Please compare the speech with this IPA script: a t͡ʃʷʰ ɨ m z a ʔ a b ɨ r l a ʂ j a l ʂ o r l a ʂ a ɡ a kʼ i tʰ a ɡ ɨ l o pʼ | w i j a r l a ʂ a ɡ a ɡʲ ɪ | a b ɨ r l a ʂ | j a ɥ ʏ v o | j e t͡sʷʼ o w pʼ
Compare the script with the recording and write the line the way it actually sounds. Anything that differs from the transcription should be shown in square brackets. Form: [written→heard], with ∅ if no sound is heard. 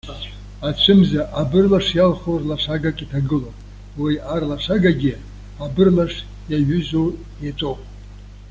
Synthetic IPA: a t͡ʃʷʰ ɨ m z a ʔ a b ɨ r l a ʂ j a l [ʂ→χ] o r l a ʂ a ɡ a kʼ i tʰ a ɡ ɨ l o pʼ | w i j a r l a ʂ a ɡ a ɡʲ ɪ | a b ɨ r l a ʂ | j a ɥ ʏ [v→z] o | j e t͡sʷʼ o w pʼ